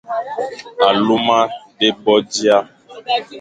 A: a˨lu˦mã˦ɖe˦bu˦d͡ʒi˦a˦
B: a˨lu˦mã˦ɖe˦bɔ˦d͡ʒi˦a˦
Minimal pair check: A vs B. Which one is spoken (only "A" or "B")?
B